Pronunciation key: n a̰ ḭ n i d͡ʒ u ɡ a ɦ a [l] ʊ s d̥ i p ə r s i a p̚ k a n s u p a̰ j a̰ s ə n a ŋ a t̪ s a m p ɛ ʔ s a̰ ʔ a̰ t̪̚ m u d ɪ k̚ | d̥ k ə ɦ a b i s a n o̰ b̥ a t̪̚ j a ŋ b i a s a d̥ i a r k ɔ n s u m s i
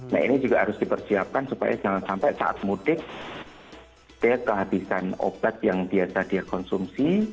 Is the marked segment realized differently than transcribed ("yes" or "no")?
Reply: yes